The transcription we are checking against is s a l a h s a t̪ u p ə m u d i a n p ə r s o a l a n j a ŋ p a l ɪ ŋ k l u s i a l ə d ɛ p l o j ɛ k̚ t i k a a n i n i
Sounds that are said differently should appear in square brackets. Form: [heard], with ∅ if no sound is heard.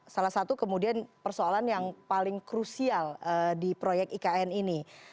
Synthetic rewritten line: s a l a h s a t̪ u [k] ə m u d i a n p ə r s o a l a n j a ŋ p a l ɪ ŋ k [ɾ] u s i a l ə d [i] p [ɾ] o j ɛ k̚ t i k a [ɛ] n i n i